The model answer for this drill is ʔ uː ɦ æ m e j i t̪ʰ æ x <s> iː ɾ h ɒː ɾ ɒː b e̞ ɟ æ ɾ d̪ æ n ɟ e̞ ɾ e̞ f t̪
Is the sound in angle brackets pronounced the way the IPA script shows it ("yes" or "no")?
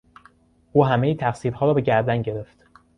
yes